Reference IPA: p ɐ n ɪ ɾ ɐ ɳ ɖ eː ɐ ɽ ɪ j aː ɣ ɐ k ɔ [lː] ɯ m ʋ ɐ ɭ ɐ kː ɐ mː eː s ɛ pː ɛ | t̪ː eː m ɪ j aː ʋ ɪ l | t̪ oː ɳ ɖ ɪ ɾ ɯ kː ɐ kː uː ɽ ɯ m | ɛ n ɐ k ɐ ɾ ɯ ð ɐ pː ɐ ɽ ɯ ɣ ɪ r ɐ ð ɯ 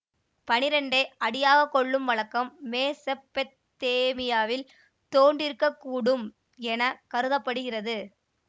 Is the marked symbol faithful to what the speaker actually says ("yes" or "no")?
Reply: no